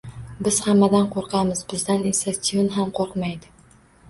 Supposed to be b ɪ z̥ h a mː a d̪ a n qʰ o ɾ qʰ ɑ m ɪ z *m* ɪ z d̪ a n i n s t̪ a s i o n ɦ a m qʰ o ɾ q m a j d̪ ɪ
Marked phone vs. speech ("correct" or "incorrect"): incorrect